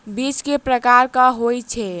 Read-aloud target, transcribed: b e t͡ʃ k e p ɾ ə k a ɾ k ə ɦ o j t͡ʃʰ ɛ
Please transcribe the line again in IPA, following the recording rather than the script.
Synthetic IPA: b i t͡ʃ k e p ɾ ə k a ɾ k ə ɦ o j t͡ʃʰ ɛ